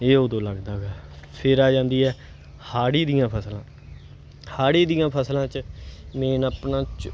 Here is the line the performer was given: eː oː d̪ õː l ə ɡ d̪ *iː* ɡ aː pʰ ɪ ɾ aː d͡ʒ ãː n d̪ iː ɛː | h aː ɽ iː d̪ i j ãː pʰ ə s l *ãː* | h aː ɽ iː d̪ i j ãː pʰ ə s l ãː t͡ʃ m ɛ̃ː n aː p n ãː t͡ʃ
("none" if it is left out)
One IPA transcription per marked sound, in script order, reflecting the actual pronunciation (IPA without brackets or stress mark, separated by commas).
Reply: aː, ãː